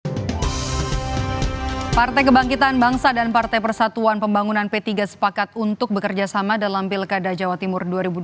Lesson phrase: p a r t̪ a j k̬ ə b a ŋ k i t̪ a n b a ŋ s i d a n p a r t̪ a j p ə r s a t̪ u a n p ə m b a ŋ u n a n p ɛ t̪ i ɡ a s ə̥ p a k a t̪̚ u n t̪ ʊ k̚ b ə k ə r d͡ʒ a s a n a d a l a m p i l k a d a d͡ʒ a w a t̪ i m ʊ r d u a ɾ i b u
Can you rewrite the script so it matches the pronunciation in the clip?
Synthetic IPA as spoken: p a r t̪ a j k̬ ə b a ŋ k i t̪ a n b a ŋ s a d a n p a r t̪ a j p ə r s a t̪ u a n p ə m b a ŋ u n a n p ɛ t̪ i ɡ a s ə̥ p a k a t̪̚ u n t̪ ʊ k̚ b ə k ə r d͡ʒ a s a m a d a l a m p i l k a d a d͡ʒ a w a t̪ i m ʊ r d u a ɾ i b u